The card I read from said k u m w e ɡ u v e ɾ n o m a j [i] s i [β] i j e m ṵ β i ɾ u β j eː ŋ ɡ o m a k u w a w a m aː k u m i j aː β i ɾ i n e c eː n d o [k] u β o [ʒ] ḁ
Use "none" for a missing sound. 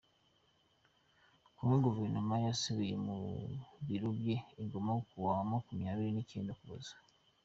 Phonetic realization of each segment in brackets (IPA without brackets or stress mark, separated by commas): a, β, k, z